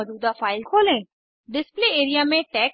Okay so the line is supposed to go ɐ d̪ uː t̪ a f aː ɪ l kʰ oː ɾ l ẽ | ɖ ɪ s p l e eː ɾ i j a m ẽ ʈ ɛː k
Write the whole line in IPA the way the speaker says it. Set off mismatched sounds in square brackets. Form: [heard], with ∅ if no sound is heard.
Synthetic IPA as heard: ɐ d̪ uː [d̪] a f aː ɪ l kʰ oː [∅] l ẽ | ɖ ɪ s p l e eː ɾ i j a m ẽ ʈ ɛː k